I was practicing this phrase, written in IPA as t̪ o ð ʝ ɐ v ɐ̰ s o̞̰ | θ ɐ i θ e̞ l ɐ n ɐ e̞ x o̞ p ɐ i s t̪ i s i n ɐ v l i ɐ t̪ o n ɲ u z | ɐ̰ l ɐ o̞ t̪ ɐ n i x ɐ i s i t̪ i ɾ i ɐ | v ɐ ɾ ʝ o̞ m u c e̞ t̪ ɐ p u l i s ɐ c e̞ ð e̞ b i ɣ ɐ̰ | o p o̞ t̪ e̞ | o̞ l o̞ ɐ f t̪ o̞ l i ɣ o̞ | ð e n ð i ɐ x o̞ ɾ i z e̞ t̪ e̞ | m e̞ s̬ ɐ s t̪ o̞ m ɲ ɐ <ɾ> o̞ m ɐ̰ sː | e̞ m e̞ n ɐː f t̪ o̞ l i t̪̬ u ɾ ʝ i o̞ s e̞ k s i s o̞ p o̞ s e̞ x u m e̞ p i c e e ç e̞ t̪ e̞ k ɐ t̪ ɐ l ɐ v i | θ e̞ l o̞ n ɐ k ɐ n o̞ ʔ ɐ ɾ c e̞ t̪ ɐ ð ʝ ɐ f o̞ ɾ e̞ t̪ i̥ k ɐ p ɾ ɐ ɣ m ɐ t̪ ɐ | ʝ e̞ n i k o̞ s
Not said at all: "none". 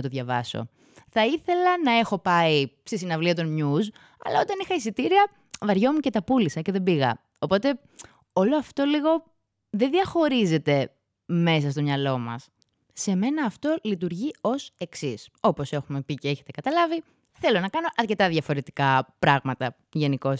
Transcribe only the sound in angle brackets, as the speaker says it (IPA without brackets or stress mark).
l